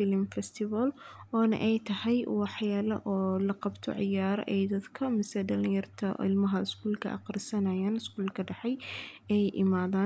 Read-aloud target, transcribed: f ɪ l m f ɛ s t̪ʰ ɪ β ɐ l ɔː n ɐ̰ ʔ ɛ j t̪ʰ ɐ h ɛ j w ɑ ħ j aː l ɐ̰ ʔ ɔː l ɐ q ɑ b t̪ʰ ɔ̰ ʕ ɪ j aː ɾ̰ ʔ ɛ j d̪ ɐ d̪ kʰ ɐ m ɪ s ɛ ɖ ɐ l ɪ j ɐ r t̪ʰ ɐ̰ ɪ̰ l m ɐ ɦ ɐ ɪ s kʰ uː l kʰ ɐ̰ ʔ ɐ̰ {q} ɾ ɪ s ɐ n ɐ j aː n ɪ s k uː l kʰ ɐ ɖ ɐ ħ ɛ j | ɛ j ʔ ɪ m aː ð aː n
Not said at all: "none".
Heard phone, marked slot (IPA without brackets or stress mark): q